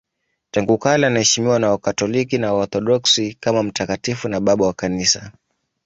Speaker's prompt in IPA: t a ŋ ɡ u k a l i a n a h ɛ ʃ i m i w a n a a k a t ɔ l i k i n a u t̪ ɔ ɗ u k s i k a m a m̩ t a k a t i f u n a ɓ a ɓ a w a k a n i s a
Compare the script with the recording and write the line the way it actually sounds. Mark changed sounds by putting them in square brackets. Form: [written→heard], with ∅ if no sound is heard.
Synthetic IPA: t a ŋ ɡ u k a l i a n a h ɛ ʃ i m i w a n a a k a t ɔ l i k i n a [u→ɔ] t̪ ɔ ɗ [u→ɔ] k s i k a m a m̩ t a k a t i f u n a ɓ a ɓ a w a k a n i s a